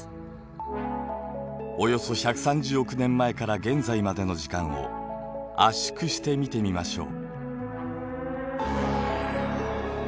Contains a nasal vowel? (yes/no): yes